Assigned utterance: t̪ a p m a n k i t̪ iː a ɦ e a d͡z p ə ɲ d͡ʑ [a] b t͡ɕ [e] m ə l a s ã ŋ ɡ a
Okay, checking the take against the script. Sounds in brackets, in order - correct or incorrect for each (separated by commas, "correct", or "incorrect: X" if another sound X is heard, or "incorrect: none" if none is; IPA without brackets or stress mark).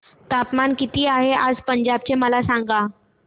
correct, correct